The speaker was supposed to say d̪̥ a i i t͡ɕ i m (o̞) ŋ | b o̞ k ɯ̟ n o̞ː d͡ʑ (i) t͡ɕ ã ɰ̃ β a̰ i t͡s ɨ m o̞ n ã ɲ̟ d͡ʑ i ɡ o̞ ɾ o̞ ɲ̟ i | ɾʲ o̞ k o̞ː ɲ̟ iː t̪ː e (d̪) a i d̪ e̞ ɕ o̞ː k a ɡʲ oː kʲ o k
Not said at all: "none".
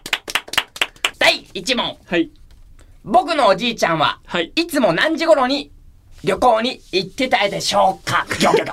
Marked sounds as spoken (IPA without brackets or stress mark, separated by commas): õ̞, iː, t̪